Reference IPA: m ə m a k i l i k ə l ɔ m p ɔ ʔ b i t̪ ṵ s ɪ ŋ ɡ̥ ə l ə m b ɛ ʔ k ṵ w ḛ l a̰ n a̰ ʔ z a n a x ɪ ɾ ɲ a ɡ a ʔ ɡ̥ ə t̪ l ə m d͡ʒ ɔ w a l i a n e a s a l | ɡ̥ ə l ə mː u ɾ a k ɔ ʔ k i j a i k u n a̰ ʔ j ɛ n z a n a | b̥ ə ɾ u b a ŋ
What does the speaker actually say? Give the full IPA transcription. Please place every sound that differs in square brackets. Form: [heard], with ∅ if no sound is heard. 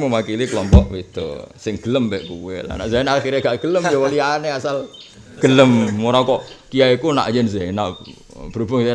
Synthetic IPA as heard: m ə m a k i l i k ə l ɔ m p ɔ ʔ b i t̪ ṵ s ɪ ŋ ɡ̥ ə l ə m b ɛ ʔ k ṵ w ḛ l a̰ n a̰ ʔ z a n a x [i] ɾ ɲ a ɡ a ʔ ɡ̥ ə [∅] l ə m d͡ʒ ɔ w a l i a n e a s a l | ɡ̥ ə l ə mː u ɾ a k ɔ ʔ k i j a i k u n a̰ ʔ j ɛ n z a n a | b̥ ə ɾ u b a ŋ